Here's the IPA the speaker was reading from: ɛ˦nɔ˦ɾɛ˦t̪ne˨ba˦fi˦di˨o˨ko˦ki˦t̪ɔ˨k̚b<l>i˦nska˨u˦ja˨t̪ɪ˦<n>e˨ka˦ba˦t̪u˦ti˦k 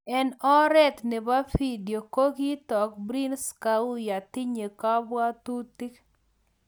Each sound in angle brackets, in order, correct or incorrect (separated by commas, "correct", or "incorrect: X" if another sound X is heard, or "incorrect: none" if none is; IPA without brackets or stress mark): incorrect: ɾ, incorrect: ɲ